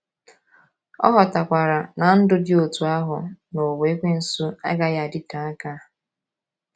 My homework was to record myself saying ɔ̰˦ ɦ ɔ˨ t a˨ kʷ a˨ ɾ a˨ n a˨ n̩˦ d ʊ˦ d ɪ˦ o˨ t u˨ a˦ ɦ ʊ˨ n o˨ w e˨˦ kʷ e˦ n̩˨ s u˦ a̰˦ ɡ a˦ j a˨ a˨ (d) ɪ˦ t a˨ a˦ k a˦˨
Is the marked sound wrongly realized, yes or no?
no